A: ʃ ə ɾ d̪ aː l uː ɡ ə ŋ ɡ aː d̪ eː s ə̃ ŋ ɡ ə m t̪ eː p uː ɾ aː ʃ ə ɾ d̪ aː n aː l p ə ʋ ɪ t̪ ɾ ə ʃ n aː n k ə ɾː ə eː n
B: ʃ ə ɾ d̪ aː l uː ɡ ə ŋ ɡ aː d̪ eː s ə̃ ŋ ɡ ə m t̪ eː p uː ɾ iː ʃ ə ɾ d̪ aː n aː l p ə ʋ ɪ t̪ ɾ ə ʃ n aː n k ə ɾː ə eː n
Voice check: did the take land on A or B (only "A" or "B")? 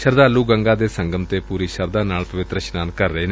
B